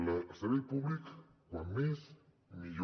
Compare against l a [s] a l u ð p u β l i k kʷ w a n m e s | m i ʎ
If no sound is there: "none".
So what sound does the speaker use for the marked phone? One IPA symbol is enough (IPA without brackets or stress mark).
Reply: s